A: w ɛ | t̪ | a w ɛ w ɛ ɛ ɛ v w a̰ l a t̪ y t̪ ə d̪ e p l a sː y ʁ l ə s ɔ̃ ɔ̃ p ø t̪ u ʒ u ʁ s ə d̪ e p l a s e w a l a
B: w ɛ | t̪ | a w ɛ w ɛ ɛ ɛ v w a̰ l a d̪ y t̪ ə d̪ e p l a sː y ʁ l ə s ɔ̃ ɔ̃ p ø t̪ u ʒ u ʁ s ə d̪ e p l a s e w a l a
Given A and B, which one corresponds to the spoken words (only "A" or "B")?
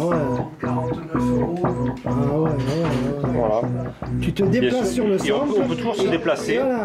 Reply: A